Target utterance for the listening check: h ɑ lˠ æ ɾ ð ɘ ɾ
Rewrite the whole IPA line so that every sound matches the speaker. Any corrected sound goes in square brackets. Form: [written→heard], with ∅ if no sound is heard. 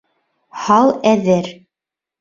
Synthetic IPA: h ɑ lˠ æ [ɾ→∅] ð ɘ ɾ

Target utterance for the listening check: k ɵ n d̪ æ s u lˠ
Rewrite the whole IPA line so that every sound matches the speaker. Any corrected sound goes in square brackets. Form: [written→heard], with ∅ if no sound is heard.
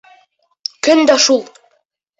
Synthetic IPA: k ɵ n d̪ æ [s→ʃ] u lˠ

